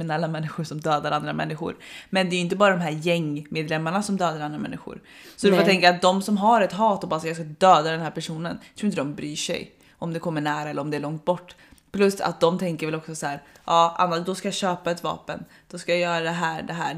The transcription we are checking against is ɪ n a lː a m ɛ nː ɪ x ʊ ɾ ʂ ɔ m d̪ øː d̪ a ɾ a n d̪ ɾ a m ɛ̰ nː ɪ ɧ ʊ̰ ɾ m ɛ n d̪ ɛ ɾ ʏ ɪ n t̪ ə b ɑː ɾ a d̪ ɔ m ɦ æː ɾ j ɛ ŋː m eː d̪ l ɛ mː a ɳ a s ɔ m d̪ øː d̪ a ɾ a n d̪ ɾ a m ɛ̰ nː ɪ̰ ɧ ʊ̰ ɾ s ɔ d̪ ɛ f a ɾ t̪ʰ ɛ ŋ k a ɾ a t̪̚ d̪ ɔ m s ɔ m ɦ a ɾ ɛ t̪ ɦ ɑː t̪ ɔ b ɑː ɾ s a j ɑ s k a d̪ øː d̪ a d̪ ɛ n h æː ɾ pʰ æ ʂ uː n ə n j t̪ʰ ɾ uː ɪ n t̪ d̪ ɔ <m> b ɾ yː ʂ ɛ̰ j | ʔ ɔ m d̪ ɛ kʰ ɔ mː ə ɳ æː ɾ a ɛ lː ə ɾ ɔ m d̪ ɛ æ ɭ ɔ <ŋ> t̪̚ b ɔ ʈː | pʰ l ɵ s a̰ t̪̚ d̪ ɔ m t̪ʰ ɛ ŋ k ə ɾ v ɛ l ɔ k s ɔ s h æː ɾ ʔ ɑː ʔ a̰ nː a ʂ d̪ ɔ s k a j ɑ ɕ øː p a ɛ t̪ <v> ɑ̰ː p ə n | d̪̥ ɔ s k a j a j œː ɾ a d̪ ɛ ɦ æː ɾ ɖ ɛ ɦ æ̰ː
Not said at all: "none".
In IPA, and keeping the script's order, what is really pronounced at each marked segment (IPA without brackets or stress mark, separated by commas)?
m, ŋ, v